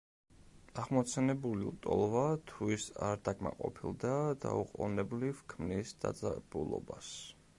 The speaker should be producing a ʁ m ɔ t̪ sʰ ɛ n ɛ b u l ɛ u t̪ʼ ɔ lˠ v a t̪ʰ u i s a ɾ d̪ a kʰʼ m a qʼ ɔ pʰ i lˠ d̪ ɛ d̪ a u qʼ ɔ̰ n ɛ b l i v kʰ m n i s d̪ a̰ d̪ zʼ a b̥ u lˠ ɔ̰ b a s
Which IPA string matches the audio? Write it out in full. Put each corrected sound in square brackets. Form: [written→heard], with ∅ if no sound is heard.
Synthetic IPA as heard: a ʁ m ɔ t̪ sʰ ɛ n ɛ b u l [ɛ→i] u t̪ʼ ɔ lˠ v a t̪ʰ u i s a ɾ d̪ a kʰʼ m a qʼ ɔ pʰ i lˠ d̪ [ɛ→a] d̪ a u qʼ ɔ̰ n ɛ b l i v kʰ m n i s d̪ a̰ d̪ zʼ a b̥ u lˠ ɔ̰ b a s